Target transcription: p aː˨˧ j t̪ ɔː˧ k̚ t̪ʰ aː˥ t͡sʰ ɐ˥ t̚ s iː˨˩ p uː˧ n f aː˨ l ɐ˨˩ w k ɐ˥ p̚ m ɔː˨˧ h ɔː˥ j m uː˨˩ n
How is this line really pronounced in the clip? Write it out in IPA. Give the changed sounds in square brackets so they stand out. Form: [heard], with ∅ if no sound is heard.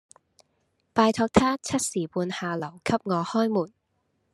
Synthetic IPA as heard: p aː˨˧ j [t̪ʰ] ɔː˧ k̚ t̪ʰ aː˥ t͡sʰ ɐ˥ t̚ s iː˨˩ p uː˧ n [h] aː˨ l ɐ˨˩ w [kʰ] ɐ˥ p̚ [ŋ] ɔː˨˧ h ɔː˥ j m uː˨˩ n